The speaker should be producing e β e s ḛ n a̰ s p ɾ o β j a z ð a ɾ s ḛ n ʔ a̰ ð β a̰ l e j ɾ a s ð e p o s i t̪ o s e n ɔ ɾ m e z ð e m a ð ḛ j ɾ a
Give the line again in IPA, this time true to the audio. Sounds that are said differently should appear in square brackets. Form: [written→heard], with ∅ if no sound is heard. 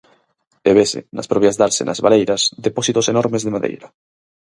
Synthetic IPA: e β e s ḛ n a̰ s p ɾ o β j a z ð a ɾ s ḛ n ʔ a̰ [ð→z] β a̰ l e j ɾ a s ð e p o s i t̪ o s e n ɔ ɾ m e z ð e m a ð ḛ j ɾ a